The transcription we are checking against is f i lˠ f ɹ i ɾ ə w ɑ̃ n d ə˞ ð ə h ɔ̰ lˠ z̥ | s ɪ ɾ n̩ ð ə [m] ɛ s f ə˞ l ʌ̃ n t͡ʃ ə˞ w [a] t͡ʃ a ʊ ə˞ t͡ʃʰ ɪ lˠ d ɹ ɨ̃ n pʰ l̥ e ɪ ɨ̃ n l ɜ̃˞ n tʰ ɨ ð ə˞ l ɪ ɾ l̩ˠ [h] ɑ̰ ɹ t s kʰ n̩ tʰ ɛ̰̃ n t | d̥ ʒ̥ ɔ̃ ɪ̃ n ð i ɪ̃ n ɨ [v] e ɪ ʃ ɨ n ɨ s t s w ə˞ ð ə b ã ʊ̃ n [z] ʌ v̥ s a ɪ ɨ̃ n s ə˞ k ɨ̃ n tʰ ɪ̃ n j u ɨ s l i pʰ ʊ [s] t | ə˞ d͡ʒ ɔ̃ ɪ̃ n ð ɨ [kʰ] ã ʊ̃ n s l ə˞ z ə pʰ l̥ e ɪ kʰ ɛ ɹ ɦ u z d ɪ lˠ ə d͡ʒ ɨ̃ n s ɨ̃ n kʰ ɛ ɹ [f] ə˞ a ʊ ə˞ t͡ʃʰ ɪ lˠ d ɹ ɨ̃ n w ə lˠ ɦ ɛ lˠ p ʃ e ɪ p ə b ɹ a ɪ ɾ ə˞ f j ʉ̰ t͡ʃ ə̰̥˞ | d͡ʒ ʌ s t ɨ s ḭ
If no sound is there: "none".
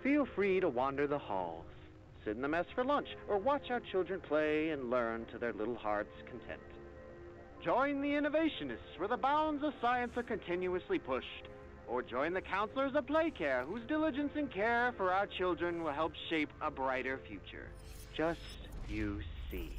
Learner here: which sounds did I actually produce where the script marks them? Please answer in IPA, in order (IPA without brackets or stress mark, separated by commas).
m, ɑ, h, v, z, ʃ, kʰ, f